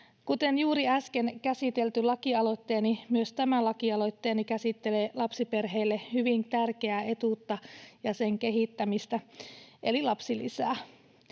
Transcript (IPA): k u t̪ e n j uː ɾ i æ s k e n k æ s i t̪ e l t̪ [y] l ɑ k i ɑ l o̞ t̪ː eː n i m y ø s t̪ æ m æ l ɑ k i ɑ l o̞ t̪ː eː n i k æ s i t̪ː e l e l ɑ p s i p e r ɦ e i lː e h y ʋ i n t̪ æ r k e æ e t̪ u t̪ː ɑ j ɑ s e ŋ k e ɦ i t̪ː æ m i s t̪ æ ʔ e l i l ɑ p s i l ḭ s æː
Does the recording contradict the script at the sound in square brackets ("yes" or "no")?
no